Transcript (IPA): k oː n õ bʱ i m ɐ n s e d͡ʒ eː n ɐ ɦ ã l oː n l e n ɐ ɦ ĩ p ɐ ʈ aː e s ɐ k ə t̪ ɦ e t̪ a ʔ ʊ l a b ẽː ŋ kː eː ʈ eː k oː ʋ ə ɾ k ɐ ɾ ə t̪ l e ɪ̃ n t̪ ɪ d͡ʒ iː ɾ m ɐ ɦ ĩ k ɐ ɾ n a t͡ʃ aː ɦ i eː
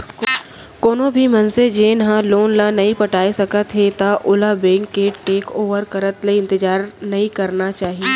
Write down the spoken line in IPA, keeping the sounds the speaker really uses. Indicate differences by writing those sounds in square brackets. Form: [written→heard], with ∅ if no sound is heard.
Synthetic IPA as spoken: k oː n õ bʱ i m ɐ n s e d͡ʒ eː n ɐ ɦ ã l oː n l [e→a] n ɐ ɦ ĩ p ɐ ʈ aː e s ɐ k ə t̪ ɦ e t̪ a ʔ ʊ l a b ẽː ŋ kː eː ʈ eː k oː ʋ ə ɾ k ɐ ɾ ə t̪ l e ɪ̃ n t̪ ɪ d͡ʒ [iː→aː] ɾ [m→n] ɐ ɦ ĩ k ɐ ɾ n a t͡ʃ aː ɦ i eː